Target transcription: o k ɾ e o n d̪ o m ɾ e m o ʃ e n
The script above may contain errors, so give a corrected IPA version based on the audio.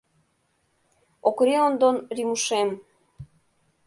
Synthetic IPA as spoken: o k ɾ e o n d̪ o n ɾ i m u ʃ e m